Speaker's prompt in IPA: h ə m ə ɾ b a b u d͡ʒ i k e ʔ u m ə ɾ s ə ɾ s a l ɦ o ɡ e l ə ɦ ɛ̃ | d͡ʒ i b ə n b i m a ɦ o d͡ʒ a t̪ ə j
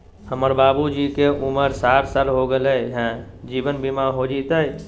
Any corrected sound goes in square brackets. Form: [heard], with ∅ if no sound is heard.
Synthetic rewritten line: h ə m ə ɾ b a b u d͡ʒ i k e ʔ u m ə ɾ s [a] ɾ s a l ɦ o ɡ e l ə ɦ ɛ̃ | d͡ʒ i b ə n b i m a ɦ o d͡ʒ [i] t̪ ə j